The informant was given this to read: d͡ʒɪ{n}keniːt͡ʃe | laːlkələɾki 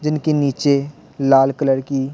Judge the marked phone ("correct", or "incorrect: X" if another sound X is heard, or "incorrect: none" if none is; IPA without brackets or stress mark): correct